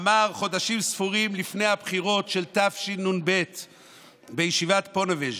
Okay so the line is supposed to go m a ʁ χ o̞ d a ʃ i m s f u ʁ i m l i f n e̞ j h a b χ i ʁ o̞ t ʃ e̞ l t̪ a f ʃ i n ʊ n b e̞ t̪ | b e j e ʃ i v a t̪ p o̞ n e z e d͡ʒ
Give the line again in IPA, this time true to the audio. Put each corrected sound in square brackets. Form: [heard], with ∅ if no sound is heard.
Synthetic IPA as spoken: m a ʁ χ o̞ d a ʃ i m s f u ʁ i m l i f n e̞ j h a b χ i ʁ o̞ t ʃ e̞ l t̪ a f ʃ i n [u] n b e̞ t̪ | b e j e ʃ i v a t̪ p o̞ n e [v] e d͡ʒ

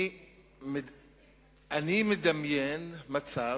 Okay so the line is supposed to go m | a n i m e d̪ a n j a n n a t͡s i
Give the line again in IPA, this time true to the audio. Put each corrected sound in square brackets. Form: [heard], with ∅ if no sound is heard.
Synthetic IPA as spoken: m | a n i m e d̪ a [m] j [e] n [m] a t͡s [a]

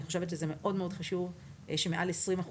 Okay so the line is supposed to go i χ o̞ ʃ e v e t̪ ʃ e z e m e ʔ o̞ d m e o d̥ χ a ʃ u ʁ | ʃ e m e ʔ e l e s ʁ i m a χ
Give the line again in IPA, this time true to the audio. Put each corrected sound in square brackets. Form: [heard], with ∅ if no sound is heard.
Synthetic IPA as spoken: i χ o̞ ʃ e v e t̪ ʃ e z e m e ʔ o̞ d m e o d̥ χ a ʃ u [v] | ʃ e m e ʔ [a] l e s ʁ i m a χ

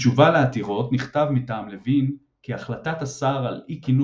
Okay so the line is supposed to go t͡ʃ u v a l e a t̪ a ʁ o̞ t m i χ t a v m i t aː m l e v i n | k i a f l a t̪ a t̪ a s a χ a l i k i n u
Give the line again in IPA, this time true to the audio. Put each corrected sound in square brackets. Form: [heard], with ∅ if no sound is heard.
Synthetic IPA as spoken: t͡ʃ u v a l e a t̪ [i] ʁ o̞ t [n] i χ t a v m i t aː m l e v i n | k i a [χ] l a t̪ a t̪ a s a [ʁ] a l i k i n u

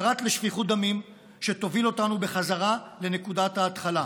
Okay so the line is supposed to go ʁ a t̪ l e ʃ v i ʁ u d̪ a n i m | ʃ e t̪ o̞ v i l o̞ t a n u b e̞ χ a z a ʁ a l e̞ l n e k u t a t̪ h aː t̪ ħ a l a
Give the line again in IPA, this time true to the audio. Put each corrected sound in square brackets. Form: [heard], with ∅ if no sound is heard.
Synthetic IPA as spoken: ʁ a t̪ l e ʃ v i [χ] u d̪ a [m] i m | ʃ e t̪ o̞ v i l o̞ t a n u b e̞ χ a z a ʁ a l e̞ [∅] n e k u [d] a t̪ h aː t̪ [χ] a l a

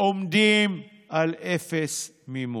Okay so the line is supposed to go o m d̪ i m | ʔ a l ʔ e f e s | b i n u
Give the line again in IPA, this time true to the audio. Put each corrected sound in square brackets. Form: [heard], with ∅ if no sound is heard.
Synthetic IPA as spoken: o m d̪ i m | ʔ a l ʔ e f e s | [m] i [m] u

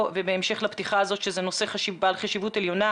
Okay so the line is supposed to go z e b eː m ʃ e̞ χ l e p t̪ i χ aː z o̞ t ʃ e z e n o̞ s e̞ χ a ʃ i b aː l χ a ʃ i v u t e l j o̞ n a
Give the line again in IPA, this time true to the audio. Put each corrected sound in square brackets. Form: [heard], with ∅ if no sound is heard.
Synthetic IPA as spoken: [v] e b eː m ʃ e̞ χ l [a] p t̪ i χ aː z o̞ t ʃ e z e n o̞ s e̞ χ a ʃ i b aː l χ a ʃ i v u t e l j o̞ n a

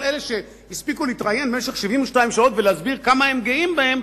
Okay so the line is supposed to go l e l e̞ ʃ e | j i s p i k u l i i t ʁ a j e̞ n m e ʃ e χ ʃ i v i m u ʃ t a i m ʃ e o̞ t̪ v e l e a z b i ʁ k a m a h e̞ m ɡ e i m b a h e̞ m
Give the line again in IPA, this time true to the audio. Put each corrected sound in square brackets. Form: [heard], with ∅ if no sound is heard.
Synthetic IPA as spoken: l e l e̞ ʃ e | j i s p i k u l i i t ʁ a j e̞ n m e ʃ e χ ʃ i v i m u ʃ t a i m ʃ [a] o̞ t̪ v e l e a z b i ʁ k a m a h e̞ m ɡ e i m b a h e̞ m

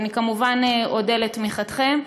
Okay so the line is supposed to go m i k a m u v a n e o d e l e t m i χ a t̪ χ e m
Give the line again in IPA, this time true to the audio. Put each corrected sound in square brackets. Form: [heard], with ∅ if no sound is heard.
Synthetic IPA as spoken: [n] i k a m u v a n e o d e l e t m i χ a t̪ χ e m

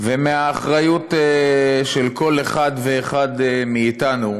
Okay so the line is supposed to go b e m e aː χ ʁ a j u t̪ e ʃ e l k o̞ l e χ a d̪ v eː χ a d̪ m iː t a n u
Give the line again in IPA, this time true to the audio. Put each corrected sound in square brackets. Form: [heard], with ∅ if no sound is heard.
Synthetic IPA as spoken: [v] e m e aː χ ʁ a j u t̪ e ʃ e l k o̞ l e χ a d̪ v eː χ a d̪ m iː t a n u

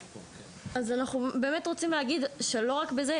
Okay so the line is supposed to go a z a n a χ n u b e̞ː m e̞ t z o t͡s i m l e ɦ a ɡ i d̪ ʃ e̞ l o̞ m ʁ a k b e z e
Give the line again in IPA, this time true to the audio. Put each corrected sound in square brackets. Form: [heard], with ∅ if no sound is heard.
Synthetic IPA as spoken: a z a n a χ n u b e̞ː m e̞ t [ʁ] o t͡s i m l e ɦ a ɡ i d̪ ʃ e̞ l o̞ [∅] ʁ a k b e z e

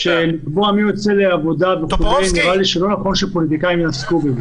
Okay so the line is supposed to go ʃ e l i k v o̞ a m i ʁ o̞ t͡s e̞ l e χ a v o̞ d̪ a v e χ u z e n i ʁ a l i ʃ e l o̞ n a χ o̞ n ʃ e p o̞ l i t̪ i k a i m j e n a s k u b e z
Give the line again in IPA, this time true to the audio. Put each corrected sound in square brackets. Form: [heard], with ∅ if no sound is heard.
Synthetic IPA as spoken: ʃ e l i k [b] o̞ a m i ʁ o̞ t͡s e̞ l e [∅] a v o̞ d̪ a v e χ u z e n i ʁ a l i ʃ e l o̞ n a χ o̞ n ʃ e p o̞ l i t̪ i k a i m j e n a s k u b e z

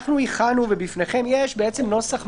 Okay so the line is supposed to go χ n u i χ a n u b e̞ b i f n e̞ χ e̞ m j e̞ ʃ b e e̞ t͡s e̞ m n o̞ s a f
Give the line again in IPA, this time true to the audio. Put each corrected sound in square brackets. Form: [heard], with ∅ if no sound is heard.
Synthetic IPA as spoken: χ n u i χ a n u [v] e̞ b i f n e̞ χ e̞ m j e̞ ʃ b e e̞ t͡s e̞ m n o̞ s a [χ]

